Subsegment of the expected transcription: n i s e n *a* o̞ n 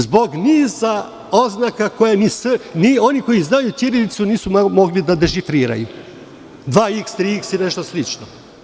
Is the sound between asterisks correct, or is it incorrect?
incorrect